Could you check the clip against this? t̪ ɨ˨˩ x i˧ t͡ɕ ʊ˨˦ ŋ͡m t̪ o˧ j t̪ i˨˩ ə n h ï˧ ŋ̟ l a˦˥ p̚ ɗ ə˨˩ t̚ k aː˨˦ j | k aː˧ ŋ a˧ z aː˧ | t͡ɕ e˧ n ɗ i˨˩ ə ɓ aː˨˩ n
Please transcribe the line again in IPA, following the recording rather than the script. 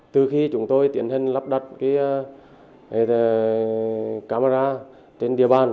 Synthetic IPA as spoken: t̪ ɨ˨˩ x i˧ t͡ɕ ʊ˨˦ ŋ͡m t̪ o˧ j t̪ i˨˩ ə n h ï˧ ŋ̟ l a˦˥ p̚ ɗ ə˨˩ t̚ k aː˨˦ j | k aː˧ m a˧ z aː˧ | t͡ɕ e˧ n ɗ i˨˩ ə ɓ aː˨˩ n

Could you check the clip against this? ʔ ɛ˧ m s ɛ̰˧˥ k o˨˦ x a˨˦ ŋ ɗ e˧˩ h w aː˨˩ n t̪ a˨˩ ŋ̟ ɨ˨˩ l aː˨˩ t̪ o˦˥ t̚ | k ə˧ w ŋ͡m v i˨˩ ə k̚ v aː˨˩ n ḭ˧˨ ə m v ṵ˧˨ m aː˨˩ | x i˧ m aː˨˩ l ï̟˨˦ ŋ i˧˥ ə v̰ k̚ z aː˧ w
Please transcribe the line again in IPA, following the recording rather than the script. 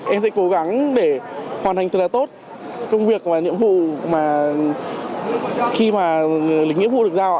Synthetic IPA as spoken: ʔ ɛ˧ m s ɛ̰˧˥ k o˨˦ ɣ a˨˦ ŋ ɗ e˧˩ h w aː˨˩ n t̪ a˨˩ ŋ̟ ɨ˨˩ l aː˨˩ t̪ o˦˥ t̚ | k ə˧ w ŋ͡m v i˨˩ ə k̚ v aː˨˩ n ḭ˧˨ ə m v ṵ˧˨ m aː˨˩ | x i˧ m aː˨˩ l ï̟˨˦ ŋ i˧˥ ə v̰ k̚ z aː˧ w

